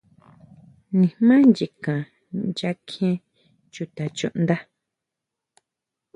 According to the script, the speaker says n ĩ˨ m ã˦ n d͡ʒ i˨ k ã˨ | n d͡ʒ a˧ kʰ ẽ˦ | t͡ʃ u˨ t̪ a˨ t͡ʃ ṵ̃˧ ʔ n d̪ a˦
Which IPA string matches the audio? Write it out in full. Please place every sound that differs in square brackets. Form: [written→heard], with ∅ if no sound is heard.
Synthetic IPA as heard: n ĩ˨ m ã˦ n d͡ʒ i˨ k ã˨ | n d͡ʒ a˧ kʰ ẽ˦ | t͡ʃ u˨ t̪ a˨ t͡ʃ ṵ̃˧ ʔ n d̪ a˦